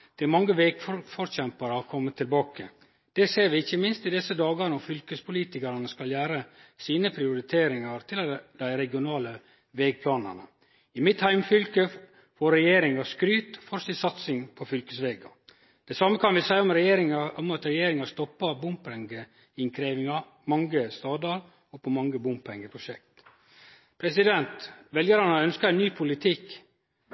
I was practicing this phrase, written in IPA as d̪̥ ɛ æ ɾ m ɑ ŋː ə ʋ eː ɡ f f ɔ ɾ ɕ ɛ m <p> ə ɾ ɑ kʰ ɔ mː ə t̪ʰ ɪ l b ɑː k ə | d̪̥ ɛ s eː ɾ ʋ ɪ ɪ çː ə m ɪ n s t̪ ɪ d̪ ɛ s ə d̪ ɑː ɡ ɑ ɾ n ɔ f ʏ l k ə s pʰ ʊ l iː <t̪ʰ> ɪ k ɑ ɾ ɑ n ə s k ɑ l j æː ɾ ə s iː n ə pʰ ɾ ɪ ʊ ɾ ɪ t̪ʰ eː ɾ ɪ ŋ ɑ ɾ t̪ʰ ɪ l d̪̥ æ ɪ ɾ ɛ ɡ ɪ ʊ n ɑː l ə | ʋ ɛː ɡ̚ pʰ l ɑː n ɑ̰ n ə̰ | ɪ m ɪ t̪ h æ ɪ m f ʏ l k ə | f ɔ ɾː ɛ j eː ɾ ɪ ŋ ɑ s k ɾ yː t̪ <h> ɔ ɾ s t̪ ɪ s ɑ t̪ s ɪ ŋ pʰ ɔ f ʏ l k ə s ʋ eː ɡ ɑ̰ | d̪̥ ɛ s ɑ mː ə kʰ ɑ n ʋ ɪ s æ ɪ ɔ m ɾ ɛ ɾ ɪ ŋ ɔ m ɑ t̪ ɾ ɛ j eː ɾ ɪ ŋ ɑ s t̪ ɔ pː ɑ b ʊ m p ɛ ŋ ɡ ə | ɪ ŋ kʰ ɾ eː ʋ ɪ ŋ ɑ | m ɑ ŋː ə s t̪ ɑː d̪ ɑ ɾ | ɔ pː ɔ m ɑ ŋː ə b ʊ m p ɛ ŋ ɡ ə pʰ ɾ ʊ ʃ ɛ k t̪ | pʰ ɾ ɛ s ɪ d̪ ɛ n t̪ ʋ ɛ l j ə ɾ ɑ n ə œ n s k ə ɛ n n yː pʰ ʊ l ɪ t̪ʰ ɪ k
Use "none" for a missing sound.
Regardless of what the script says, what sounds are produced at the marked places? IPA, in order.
p, t̪, f

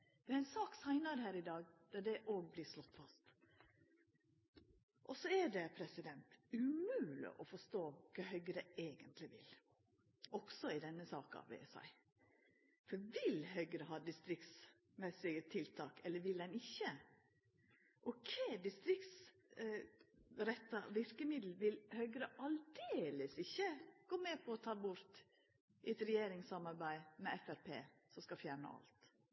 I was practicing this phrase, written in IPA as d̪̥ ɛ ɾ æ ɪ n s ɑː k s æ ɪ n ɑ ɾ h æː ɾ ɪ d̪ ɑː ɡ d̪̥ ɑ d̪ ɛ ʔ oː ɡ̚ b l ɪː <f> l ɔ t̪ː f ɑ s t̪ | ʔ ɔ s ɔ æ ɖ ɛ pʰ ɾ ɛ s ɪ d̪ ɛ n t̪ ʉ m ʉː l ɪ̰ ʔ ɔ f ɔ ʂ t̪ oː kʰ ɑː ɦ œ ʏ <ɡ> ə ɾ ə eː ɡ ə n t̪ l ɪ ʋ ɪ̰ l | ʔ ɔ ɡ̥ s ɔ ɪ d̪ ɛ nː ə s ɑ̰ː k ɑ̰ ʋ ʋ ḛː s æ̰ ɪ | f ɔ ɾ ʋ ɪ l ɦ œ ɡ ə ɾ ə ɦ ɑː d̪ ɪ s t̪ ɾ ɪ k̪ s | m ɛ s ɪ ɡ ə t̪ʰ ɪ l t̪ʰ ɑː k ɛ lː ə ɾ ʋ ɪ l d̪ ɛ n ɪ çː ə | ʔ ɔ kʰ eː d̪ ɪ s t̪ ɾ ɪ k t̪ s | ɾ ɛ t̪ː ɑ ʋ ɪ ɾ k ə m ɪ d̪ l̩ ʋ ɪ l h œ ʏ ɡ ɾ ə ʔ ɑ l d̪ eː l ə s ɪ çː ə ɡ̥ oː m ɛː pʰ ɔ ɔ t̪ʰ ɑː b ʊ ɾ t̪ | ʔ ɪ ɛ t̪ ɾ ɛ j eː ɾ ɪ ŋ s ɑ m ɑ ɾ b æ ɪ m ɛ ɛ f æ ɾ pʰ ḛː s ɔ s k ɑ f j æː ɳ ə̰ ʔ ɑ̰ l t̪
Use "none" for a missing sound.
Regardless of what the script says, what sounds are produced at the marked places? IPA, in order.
ʂ, ɡ

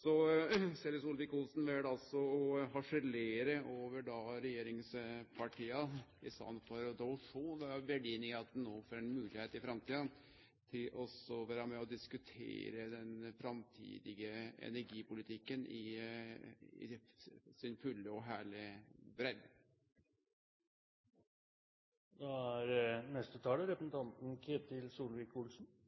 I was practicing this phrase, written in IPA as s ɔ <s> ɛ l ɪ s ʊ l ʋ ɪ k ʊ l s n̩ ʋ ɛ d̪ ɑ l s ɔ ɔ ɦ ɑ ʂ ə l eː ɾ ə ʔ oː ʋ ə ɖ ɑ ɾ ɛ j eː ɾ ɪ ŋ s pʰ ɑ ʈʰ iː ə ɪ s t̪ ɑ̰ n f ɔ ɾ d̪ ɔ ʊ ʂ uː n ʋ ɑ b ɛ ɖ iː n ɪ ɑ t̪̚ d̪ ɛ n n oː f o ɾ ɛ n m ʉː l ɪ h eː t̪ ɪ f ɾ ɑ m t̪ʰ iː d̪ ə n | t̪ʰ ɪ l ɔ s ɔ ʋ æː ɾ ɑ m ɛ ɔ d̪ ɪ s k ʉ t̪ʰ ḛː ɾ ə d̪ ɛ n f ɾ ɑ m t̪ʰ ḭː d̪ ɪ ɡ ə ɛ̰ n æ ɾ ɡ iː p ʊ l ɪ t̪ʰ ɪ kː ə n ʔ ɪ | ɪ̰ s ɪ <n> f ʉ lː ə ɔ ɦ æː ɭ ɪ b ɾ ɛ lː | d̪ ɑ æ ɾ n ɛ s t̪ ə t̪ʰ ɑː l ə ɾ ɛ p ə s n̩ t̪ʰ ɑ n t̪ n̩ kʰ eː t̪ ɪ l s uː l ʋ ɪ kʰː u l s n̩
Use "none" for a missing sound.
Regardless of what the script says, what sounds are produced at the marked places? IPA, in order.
s, n

